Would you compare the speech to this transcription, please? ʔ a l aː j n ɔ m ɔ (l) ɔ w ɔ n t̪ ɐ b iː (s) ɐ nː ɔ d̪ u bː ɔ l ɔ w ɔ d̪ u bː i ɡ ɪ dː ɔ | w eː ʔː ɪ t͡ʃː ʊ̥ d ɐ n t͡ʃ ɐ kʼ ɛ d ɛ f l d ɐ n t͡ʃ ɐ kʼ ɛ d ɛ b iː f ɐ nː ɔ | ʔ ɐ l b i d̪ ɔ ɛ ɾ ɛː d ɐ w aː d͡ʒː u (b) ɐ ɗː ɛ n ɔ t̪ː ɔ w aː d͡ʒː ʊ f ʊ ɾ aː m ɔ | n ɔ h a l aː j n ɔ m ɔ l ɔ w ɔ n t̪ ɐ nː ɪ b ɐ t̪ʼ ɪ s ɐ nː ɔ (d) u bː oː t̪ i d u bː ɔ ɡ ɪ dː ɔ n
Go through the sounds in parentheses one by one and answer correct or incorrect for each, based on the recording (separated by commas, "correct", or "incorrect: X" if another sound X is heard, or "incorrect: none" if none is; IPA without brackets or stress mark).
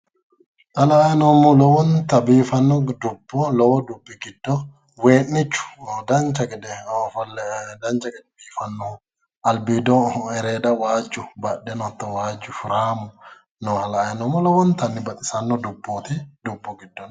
correct, incorrect: f, correct, correct